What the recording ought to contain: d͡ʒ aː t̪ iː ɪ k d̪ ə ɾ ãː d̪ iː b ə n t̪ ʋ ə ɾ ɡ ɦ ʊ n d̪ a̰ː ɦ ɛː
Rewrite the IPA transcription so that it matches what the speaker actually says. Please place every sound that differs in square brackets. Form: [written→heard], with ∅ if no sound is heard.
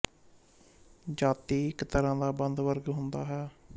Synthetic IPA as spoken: d͡ʒ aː t̪ iː ɪ k [d̪→t̪] ə ɾ ãː d̪ [iː→aː] b ə n [t̪→d̪] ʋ ə ɾ ɡ ɦ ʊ n d̪ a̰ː ɦ ɛː